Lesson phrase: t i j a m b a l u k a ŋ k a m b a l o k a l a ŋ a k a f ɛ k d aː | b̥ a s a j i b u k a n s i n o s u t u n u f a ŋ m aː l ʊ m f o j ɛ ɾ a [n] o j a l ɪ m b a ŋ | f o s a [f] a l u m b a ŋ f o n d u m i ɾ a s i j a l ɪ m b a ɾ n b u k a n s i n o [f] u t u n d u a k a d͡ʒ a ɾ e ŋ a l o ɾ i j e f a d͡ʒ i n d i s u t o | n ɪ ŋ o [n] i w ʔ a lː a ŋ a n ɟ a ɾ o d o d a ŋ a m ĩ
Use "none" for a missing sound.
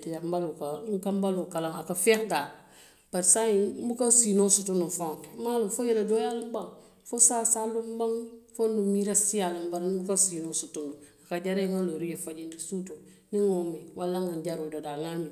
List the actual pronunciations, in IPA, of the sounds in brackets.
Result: d, s, s, m

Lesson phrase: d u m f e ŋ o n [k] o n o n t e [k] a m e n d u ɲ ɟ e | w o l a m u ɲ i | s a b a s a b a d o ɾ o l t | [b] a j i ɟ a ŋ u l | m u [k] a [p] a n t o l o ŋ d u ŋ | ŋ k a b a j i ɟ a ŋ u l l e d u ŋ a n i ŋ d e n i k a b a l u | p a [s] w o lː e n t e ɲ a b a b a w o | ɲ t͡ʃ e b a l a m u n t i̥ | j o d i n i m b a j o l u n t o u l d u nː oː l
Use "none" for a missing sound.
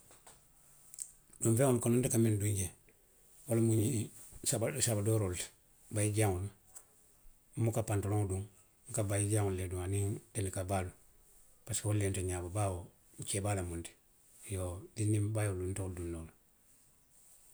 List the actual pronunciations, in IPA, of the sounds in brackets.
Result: k, k, b, k, p, s

